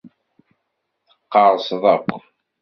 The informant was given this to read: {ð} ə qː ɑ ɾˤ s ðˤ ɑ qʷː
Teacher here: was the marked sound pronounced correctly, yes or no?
no